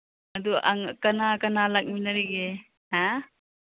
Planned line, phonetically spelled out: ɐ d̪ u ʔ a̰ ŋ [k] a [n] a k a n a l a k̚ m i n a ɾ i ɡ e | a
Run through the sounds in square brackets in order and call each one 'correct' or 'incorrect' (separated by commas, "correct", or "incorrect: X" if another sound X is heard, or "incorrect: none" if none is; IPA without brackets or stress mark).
correct, correct